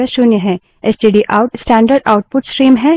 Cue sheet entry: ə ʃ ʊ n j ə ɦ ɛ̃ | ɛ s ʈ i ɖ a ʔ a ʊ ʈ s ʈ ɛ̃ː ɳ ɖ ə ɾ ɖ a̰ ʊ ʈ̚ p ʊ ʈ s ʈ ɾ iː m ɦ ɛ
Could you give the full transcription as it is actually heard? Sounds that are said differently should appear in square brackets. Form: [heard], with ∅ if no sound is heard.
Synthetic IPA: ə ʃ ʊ n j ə ɦ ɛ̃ | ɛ s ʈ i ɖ [i] ʔ a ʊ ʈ s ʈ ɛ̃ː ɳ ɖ ə ɾ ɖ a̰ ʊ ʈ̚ p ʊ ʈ s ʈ ɾ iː m ɦ ɛ

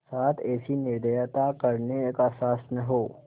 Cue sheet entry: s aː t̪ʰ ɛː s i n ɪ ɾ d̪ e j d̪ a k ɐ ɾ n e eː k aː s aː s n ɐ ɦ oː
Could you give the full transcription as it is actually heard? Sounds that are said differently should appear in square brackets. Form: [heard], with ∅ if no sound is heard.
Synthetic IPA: s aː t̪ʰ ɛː s i n ɪ ɾ d̪ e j [t̪] a k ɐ ɾ n e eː k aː s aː s n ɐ ɦ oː

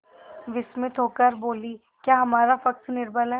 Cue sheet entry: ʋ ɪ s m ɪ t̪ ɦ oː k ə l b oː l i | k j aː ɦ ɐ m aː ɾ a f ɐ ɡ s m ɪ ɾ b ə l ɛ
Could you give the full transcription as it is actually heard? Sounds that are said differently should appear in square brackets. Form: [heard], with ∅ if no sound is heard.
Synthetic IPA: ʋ ɪ s m ɪ t̪ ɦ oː k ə [ɾ] b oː l i | k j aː ɦ ɐ m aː ɾ a f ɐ [k] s [n] ɪ ɾ b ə l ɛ

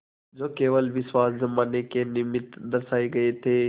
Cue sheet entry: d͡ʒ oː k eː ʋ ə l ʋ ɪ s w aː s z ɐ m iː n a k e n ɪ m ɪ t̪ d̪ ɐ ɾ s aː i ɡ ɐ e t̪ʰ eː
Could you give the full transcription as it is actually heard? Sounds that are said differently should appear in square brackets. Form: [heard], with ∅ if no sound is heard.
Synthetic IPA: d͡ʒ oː k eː ʋ ə l ʋ ɪ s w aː s z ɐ m [aː] n [e] k e n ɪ m ɪ t̪ d̪ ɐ ɾ s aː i ɡ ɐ e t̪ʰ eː

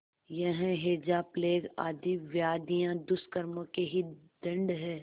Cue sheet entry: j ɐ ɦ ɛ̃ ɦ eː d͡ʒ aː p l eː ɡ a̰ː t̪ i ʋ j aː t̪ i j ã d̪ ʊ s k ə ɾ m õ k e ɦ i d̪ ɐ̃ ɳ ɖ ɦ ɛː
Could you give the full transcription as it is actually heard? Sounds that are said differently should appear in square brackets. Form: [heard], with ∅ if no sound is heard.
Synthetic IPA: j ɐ ɦ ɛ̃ ɦ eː d͡ʒ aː p l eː ɡ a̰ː [d̪] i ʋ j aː [d̪] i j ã d̪ ʊ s k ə ɾ m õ k e ɦ i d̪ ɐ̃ ɳ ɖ ɦ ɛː

